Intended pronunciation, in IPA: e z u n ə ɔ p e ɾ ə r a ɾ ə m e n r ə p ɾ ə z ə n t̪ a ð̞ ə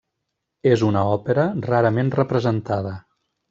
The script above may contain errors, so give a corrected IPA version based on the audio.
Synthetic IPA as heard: e z u n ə ɔ p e ɾ ə r a ɾ ə m e n r ə p ɾ ə z ə n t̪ a ð̞ ə